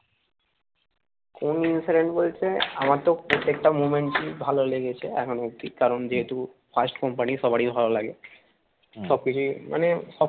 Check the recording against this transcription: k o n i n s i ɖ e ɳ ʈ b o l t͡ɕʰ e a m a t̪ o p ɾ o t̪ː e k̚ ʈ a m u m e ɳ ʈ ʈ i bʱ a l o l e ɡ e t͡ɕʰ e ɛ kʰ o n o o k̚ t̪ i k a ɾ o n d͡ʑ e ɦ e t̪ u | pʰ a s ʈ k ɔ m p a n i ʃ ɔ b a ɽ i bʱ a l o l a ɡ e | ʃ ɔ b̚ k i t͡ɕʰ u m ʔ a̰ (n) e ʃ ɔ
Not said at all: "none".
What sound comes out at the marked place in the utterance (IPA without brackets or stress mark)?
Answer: n